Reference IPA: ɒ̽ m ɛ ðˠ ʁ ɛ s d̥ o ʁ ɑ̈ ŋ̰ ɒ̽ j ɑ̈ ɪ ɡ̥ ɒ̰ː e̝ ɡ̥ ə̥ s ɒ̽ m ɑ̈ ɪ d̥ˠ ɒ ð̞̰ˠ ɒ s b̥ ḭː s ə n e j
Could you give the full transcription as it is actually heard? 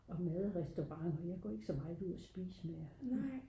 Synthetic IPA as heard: ɒ̽ m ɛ ðˠ ʁ ɛ s d̥ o ʁ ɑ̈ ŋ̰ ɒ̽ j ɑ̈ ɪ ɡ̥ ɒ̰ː e̝ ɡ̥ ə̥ s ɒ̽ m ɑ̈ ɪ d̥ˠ u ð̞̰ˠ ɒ s b̥ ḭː s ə m e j